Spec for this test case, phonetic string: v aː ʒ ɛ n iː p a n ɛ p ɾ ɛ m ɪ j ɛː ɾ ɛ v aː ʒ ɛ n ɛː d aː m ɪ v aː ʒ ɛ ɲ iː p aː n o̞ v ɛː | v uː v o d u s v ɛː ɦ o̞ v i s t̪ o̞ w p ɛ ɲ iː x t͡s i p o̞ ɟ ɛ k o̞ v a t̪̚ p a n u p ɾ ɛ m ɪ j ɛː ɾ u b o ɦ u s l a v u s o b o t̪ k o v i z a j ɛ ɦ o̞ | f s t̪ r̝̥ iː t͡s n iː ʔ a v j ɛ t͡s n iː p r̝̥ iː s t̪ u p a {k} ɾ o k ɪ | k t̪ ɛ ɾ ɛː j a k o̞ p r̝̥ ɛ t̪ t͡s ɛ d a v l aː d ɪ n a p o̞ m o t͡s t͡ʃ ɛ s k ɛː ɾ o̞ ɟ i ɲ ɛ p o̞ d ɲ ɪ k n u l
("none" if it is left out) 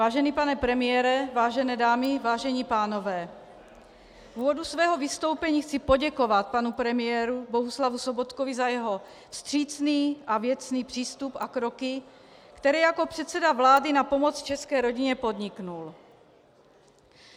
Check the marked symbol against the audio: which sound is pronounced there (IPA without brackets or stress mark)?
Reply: k